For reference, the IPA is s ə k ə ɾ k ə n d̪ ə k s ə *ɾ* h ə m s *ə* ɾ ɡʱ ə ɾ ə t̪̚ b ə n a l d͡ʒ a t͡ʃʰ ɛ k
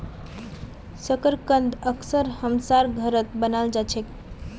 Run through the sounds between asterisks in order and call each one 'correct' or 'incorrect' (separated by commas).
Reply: correct, incorrect